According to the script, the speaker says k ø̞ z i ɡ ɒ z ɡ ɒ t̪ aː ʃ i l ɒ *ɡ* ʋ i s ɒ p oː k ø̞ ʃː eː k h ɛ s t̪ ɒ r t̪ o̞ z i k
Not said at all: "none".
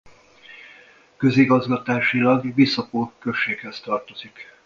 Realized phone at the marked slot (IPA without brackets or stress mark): ɡ